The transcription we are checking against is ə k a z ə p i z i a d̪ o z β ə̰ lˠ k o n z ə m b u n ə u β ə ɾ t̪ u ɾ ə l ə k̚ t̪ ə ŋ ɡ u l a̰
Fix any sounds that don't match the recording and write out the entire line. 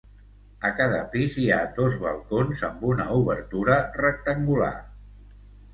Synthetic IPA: ə k a ð ə p i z i a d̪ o z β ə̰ lˠ k o n z ə m b u n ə u β ə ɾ t̪ u ɾ ə r ə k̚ t̪ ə ŋ ɡ u l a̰